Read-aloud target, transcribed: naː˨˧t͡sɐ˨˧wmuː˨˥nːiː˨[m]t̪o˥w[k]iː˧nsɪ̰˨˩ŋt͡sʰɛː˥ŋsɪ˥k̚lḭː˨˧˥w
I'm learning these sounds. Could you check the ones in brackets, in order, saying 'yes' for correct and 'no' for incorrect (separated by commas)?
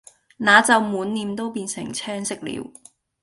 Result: yes, no